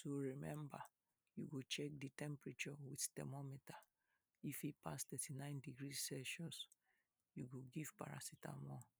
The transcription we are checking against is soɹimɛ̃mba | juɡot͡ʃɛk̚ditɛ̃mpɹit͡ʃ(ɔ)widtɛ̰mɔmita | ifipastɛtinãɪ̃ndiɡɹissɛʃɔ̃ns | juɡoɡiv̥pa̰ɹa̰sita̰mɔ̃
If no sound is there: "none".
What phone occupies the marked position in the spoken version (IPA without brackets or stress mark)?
ɔ